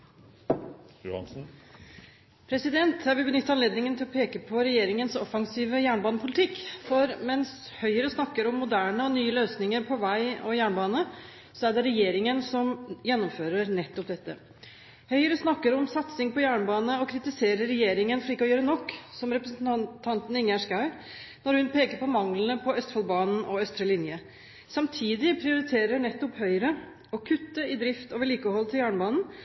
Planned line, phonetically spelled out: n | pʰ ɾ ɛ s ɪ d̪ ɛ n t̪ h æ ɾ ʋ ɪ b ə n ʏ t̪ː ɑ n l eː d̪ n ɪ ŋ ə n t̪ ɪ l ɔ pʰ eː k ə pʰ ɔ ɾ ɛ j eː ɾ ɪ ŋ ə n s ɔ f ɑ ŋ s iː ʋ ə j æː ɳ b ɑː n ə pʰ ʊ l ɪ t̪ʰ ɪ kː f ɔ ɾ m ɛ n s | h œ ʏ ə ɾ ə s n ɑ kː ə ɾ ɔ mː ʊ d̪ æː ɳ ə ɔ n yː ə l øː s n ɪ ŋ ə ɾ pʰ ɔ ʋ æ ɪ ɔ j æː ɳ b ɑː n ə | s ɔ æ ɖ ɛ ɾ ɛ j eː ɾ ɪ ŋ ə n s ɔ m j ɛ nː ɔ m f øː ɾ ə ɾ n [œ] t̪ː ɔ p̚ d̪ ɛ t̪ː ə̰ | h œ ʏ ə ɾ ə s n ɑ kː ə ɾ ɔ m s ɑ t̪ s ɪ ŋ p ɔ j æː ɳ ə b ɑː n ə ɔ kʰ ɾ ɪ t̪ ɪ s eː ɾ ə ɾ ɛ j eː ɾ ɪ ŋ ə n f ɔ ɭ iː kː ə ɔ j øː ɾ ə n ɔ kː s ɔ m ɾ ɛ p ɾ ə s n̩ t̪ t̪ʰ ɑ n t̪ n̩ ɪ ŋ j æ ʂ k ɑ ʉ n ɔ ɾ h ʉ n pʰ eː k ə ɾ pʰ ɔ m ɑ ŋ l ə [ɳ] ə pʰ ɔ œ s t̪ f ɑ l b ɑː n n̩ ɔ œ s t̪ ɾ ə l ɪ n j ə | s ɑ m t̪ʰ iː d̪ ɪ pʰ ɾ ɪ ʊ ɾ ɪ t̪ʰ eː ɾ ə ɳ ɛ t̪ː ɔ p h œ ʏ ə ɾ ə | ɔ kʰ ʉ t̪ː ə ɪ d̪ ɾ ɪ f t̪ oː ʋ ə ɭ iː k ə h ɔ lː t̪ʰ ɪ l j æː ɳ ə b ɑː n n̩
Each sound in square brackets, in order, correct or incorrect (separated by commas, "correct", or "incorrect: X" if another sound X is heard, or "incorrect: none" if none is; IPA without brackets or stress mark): incorrect: ɛ, incorrect: n